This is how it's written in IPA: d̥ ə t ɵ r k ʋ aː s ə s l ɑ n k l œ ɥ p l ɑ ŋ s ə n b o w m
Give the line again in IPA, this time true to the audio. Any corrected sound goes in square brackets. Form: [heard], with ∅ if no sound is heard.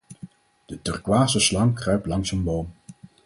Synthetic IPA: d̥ ə t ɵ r k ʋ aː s ə s l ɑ [ŋ] k [r] œ ɥ p l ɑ ŋ s ə n b o w m